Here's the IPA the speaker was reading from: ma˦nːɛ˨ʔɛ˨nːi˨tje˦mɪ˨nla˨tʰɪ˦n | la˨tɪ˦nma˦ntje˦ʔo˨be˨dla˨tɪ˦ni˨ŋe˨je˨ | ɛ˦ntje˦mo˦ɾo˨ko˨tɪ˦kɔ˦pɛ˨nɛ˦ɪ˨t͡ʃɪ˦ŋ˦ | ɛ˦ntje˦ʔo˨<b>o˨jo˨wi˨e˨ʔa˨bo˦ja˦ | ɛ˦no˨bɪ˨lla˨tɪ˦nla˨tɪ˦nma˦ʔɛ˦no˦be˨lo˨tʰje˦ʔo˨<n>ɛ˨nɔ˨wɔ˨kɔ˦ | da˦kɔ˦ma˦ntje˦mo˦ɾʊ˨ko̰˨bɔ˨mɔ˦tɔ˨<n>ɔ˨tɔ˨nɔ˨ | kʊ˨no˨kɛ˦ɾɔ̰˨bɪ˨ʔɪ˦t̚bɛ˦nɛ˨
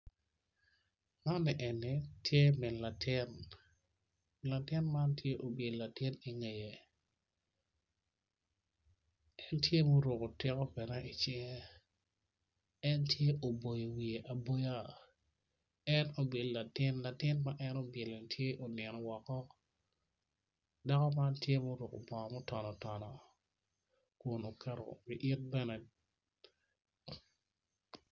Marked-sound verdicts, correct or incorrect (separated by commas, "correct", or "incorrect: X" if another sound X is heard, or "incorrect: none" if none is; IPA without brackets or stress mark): correct, correct, correct